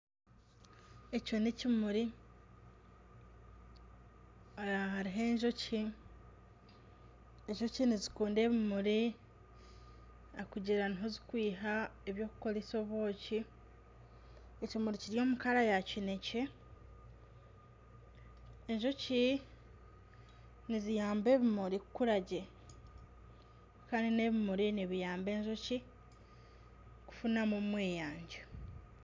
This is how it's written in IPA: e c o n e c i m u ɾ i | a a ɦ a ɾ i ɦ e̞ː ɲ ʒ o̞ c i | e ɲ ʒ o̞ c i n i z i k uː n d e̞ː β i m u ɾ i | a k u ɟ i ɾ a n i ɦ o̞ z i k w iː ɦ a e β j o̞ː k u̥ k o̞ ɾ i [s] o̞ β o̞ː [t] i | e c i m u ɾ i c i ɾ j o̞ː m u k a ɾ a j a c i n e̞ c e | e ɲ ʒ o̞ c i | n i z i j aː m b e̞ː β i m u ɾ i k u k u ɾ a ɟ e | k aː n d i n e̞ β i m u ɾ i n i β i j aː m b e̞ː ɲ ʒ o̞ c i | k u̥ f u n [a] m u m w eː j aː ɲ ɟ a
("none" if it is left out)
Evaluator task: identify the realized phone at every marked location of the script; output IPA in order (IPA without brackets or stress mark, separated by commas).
s, c, a